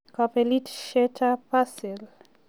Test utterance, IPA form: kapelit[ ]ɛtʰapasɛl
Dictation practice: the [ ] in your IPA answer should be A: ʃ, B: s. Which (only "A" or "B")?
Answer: A